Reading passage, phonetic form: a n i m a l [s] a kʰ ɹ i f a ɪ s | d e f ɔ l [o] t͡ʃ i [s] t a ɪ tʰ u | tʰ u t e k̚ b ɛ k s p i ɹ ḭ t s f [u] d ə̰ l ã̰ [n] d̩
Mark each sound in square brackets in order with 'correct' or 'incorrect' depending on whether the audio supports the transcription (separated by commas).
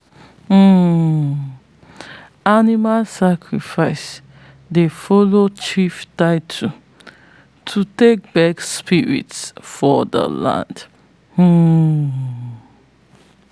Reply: correct, correct, incorrect, incorrect, correct